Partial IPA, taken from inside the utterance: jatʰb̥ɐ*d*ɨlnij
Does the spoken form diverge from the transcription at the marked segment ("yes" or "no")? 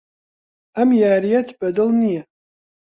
no